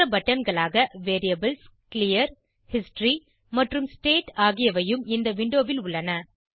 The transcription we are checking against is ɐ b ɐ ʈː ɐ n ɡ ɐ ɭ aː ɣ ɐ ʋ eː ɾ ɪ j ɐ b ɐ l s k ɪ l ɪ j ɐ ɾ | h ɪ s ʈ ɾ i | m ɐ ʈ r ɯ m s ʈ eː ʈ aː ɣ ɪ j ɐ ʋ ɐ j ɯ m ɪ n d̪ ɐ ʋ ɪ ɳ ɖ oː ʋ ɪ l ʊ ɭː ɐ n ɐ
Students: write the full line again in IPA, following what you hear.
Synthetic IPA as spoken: ɐ b ɐ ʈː ɐ n ɡ ɐ ɭ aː ɣ ɐ ʋ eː ɾ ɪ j ɐ b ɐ l s k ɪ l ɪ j ɐ ɾ | h ɪ s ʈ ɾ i | m ɐ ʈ r ɯ m s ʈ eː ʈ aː ɣ ɪ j ɐ ʋ ɐ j ɯ m ɪ n d̪ ɐ ʋ ɪ ɳ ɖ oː ʋ ɪ l ʊ ɭː ɐ n ɐ